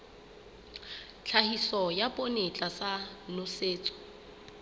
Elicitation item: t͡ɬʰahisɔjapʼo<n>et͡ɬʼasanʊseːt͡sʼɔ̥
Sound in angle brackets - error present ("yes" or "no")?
no